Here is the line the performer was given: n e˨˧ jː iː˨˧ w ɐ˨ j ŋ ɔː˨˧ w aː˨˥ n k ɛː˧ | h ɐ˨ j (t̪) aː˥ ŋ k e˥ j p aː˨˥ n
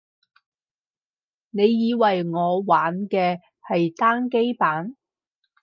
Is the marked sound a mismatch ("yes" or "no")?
no